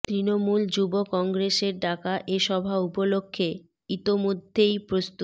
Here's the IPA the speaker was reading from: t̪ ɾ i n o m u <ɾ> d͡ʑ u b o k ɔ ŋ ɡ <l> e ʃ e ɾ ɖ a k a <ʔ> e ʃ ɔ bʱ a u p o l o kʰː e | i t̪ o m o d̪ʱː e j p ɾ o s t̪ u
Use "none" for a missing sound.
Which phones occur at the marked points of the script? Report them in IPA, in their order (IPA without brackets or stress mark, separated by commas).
l, ɾ, ʔ